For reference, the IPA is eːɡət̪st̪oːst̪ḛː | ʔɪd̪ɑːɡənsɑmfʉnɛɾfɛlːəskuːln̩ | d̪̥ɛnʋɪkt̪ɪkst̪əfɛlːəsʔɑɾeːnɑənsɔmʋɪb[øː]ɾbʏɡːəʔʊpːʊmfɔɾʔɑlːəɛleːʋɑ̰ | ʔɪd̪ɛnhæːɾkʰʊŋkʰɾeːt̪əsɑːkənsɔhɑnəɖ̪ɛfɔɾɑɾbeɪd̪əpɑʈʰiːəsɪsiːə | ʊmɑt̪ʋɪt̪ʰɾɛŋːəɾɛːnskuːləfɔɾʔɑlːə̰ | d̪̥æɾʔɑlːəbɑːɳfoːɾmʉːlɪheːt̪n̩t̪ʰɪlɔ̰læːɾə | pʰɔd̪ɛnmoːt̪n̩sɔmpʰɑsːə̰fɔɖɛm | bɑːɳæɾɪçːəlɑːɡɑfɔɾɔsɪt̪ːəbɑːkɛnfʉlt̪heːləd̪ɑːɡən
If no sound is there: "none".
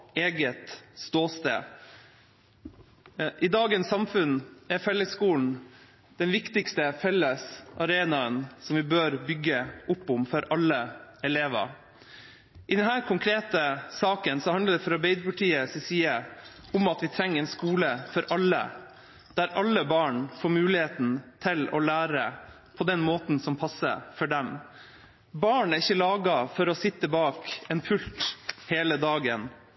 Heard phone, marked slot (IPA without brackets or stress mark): øː